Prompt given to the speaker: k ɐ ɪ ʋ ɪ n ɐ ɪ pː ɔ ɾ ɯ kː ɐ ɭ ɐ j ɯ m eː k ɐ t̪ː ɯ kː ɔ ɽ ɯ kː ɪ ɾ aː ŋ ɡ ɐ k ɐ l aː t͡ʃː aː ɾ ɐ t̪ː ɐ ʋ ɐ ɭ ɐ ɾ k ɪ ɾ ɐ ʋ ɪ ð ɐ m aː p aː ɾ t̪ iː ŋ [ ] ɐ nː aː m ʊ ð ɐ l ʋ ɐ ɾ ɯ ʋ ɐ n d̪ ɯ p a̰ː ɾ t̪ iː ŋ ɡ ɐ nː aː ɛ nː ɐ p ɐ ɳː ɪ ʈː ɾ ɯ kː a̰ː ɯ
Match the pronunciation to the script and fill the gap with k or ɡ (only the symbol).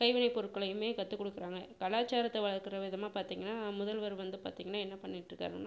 ɡ